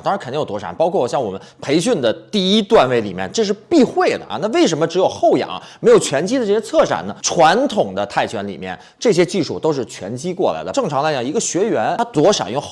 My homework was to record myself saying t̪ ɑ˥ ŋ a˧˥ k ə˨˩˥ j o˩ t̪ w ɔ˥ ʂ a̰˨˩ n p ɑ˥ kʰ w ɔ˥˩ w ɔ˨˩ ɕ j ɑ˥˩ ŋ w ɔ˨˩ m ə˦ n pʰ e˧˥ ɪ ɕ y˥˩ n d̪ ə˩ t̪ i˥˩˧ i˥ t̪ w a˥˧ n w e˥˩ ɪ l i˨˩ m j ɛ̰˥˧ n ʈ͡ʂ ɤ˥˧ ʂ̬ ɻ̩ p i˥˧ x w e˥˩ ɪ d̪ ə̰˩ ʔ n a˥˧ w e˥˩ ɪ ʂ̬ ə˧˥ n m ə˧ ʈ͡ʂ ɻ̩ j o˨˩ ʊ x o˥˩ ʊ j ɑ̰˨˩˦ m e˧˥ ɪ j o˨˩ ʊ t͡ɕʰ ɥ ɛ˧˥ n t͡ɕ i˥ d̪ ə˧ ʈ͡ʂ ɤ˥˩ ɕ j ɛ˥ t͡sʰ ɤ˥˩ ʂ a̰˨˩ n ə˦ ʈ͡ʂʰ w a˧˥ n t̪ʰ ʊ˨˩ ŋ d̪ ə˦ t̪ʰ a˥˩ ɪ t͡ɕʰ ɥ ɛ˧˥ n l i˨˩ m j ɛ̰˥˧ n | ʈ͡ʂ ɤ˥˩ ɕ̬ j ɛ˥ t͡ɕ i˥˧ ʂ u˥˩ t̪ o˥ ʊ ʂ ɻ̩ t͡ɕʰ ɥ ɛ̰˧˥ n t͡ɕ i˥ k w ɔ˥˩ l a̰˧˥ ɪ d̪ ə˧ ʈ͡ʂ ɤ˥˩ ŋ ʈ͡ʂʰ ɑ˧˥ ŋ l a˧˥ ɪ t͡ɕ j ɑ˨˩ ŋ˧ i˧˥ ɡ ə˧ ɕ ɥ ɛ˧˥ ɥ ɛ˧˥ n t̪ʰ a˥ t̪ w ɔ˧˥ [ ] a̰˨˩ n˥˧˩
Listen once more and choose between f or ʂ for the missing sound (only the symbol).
ʂ